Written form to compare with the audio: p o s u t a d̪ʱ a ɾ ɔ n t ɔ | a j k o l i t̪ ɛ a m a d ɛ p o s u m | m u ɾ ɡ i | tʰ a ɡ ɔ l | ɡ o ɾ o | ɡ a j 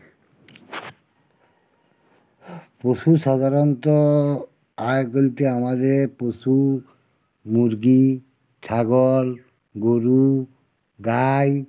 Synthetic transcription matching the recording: p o s u s a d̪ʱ a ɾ ɔ n t ɔ | a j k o l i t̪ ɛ a m a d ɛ p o s u | m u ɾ ɡ i | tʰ a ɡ ɔ l | ɡ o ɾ u | ɡ a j